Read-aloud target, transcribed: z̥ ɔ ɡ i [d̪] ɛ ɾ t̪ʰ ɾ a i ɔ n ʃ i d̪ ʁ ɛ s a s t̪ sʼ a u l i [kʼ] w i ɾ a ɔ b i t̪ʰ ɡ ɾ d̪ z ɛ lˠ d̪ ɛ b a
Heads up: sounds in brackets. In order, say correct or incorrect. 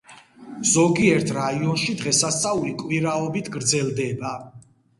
incorrect, correct

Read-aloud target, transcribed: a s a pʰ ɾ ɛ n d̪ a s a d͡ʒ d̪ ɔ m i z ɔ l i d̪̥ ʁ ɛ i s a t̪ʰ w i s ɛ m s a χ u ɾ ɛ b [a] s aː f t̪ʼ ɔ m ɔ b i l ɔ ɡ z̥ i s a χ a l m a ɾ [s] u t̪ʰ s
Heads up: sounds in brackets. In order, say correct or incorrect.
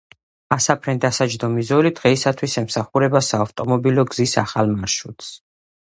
correct, incorrect

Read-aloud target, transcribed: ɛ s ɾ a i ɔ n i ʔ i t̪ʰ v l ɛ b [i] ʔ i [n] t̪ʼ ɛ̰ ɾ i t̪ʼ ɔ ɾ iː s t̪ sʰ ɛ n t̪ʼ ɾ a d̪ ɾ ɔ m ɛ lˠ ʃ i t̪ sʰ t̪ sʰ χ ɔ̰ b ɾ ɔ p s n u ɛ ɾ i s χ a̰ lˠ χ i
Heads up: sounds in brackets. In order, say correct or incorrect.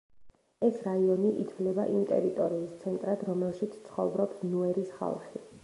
incorrect, incorrect

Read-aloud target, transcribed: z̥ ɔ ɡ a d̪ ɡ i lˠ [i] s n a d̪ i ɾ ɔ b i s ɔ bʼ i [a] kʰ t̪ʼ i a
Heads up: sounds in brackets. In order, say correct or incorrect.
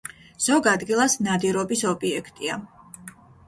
incorrect, incorrect

